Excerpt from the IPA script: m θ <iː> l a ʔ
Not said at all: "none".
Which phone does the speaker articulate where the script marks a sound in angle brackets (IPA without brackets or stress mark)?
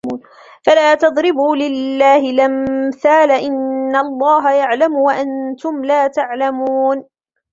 aː